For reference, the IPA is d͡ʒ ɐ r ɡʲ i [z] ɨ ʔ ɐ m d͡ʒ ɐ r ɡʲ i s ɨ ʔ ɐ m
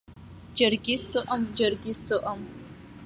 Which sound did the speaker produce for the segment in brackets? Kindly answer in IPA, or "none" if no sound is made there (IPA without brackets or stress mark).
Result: s